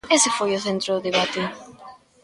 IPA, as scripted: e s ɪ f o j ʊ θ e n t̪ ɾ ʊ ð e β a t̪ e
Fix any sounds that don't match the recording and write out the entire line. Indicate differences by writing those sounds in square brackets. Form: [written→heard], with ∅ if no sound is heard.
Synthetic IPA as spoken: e s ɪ f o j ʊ θ e n t̪ ɾ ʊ ð e β a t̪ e